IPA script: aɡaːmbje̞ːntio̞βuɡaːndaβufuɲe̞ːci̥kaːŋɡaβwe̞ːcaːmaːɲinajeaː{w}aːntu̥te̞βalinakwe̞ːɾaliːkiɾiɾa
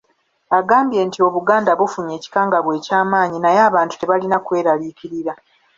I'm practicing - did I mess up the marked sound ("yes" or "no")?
yes